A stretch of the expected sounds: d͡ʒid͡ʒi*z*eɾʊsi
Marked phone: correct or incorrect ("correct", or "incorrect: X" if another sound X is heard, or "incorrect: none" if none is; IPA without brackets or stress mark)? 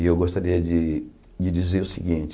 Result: correct